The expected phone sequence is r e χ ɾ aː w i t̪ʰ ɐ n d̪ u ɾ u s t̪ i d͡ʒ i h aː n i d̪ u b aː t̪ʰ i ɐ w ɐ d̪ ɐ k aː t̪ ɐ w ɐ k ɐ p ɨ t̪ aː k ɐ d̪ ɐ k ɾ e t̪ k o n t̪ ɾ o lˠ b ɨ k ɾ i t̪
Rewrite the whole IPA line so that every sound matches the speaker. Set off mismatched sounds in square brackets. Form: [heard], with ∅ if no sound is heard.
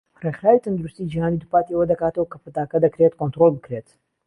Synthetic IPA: r e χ ɾ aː w i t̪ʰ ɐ n d̪ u ɾ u s t̪ i d͡ʒ i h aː n i d̪ u [p] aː [t̪] i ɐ w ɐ d̪ ɐ k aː t̪ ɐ w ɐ k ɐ p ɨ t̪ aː k ɐ d̪ ɐ k ɾ e t̪ k o n t̪ ɾ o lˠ b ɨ k ɾ [e] t̪